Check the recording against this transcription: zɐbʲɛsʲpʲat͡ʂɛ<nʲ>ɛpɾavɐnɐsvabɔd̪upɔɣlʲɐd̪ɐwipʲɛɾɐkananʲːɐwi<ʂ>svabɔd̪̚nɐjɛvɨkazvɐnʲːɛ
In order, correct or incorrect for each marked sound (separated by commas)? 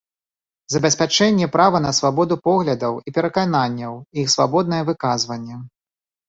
incorrect, incorrect